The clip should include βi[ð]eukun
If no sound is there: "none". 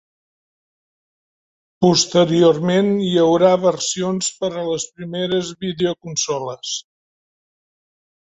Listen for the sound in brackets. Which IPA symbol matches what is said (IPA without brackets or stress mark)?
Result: ð